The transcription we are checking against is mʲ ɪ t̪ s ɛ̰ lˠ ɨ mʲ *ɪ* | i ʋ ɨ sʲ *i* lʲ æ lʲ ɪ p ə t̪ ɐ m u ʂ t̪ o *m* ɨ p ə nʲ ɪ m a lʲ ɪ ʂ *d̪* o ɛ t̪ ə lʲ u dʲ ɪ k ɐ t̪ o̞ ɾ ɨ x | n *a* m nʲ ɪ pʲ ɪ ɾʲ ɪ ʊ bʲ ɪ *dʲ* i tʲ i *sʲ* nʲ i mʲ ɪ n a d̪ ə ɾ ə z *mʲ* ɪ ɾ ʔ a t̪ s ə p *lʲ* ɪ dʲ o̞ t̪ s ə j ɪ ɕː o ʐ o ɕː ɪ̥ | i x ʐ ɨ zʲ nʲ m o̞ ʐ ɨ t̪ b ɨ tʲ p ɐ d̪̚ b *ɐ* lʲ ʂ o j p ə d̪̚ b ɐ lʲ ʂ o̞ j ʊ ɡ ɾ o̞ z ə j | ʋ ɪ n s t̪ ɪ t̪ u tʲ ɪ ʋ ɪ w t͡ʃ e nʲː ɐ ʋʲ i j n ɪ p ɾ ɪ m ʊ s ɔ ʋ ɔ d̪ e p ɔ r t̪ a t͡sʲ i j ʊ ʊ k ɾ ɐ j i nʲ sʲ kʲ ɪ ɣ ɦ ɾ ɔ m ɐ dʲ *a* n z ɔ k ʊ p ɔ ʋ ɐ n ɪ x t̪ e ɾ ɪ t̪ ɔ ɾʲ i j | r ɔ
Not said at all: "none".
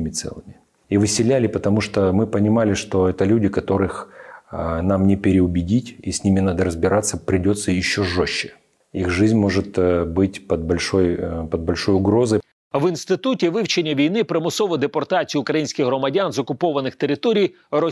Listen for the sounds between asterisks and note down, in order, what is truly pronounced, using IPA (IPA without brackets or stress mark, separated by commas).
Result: ɪ, ɪ, m, t̪, a, dʲ, sʲ, bʲ, ɾʲ, ɐ, a